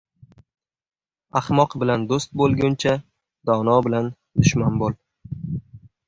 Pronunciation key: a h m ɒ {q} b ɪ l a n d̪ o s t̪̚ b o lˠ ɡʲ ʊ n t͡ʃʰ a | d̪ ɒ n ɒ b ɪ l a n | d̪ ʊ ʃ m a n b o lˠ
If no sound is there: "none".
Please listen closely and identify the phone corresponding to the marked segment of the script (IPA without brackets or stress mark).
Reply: q